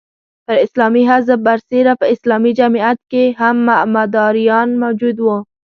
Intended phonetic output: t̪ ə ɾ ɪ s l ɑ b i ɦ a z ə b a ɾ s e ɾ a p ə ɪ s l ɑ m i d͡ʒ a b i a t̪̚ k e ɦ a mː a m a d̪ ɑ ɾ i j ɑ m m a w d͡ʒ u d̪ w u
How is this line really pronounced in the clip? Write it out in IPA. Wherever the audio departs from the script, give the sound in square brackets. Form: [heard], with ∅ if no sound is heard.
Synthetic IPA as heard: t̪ ə ɾ ɪ s l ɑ [m] i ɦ a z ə b a ɾ s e ɾ a p ə ɪ s l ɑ m i d͡ʒ a [m] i a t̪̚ k e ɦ a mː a m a d̪ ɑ ɾ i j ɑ [n] m a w d͡ʒ u d̪ w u